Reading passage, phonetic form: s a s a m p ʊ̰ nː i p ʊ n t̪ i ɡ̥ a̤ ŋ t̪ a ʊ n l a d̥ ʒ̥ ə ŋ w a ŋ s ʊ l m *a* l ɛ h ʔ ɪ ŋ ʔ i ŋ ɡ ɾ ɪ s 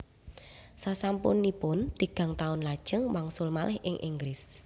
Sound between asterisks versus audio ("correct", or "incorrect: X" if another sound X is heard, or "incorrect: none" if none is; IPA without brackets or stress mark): correct